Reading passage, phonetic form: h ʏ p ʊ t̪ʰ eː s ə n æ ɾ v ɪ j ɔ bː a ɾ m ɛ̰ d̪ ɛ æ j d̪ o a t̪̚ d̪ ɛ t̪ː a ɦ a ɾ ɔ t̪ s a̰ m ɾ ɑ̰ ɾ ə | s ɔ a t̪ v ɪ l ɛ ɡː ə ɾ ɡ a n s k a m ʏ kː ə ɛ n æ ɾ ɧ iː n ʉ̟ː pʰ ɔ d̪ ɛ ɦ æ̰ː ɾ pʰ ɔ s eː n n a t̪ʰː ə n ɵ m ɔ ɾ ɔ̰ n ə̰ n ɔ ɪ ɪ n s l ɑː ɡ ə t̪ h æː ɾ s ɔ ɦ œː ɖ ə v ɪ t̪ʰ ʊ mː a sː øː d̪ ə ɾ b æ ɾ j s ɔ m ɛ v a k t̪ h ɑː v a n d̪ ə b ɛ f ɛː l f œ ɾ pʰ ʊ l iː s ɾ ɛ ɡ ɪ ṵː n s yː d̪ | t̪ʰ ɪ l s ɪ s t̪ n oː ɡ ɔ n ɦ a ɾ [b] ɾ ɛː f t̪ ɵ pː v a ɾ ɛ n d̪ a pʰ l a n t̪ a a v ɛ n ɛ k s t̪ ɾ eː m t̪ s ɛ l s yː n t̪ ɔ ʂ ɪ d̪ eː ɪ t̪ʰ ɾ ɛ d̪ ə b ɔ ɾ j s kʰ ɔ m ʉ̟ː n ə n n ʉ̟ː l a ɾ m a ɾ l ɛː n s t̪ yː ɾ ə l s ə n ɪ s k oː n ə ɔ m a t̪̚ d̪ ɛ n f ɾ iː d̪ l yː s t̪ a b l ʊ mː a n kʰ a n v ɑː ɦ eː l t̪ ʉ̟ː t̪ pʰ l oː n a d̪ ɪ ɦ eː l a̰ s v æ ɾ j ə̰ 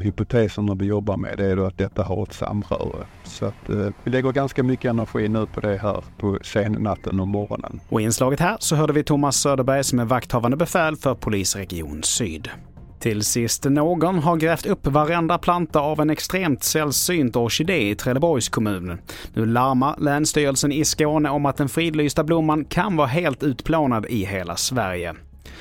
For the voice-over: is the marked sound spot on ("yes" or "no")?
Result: no